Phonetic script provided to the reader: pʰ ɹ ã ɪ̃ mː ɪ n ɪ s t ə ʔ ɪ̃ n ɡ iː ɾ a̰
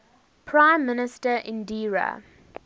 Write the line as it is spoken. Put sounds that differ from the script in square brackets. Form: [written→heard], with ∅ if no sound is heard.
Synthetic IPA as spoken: pʰ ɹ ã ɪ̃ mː ɪ n ɪ s t ə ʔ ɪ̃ n [ɡ→d] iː [ɾ→ɹ] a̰

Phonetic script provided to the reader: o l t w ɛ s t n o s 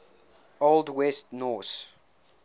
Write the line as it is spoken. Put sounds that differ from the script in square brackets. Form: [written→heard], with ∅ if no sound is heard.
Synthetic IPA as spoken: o l [t→d] w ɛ s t n [o→ɔ] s

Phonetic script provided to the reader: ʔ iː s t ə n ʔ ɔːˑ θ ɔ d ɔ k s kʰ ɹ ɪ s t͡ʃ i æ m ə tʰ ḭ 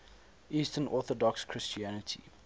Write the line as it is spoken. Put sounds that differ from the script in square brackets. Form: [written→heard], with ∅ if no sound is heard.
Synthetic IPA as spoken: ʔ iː s t ə n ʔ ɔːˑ θ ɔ d ɔ k s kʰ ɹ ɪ s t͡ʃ i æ [m→n] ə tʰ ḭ

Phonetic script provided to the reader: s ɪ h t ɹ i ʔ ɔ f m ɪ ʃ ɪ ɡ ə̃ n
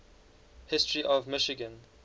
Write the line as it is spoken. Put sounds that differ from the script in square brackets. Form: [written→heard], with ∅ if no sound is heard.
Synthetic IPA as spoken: [s→h] ɪ [h→s] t ɹ i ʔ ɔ [f→v] m ɪ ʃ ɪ ɡ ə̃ n

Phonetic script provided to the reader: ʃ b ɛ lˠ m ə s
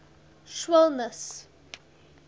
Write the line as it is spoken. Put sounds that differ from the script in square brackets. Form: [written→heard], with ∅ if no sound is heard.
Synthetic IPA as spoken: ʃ [b→w] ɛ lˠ [m→n] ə s

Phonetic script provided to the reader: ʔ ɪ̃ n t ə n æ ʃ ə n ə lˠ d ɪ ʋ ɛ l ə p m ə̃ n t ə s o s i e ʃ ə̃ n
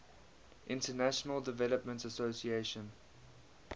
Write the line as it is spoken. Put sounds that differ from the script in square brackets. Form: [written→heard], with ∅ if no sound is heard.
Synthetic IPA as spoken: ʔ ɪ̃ n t ə n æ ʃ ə n ə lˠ d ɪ [ʋ→v] ɛ l ə p m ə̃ n t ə s o s i e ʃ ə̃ n

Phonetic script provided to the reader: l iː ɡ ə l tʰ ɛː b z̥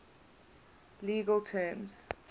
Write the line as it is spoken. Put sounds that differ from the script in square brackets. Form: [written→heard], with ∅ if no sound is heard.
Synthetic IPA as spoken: l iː ɡ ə l tʰ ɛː [b→m] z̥

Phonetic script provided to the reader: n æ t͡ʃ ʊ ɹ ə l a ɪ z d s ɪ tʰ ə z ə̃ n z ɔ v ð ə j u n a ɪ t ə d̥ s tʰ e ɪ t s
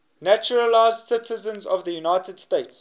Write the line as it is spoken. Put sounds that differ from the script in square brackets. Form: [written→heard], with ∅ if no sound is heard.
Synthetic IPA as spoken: n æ t͡ʃ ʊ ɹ ə l a ɪ z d s ɪ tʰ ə z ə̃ n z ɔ v ð ə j u n a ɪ t ə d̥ s [tʰ→t] e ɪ t s

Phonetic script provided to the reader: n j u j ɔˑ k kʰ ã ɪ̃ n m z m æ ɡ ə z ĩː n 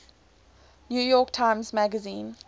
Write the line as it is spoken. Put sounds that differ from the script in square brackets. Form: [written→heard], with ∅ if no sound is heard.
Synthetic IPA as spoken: n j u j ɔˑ k [kʰ→tʰ] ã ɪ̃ [n→∅] m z m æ ɡ ə z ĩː n

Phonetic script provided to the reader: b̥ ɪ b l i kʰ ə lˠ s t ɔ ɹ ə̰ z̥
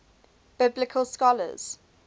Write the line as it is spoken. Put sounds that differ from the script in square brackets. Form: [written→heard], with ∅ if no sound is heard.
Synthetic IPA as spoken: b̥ ɪ b l [i→ɪ] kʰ ə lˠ s [t→k] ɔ [ɹ→l] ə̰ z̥

